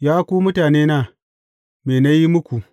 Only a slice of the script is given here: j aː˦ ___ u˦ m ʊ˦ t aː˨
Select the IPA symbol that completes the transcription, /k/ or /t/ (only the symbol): k